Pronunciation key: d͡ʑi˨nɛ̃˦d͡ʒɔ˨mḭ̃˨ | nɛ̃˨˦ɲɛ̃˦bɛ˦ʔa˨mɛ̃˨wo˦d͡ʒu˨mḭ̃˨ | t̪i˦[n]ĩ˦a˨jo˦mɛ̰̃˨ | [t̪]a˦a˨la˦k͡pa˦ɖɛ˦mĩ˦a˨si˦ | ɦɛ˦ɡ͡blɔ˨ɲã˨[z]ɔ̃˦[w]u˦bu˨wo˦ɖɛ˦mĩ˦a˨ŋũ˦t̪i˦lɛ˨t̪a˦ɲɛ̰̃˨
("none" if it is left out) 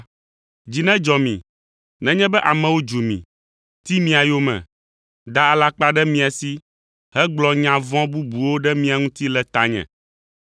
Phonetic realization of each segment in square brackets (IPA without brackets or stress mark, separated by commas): m, d̪, v, b